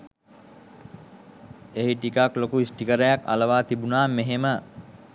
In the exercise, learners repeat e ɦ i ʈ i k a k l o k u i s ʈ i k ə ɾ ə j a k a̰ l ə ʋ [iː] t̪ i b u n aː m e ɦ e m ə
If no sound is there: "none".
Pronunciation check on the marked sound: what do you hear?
aː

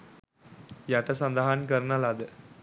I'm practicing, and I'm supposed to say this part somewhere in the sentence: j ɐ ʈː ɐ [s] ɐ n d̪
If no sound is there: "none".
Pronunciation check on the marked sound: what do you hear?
s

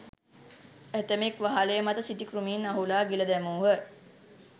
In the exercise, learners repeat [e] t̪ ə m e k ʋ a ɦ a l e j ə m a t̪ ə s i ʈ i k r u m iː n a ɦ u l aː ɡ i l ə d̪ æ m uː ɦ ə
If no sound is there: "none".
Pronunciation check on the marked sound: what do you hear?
æ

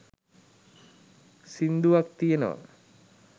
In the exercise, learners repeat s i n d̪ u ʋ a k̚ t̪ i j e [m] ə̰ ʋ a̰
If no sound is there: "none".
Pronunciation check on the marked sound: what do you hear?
n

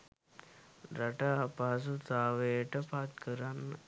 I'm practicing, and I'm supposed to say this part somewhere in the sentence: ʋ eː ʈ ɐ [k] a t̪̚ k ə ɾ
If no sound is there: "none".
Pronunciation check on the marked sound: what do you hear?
p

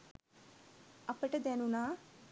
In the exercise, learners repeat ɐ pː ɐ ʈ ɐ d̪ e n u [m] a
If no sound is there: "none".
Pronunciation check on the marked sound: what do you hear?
n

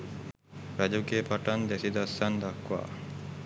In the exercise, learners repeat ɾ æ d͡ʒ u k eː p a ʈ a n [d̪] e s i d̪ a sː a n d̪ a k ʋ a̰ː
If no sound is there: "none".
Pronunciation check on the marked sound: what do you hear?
d̪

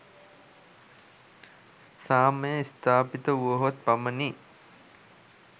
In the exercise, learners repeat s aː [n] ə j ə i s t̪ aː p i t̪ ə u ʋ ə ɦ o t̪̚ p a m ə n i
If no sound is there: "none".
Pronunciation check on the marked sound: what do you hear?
m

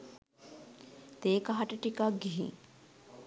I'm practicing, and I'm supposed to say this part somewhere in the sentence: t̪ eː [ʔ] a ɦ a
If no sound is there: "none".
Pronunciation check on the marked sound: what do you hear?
k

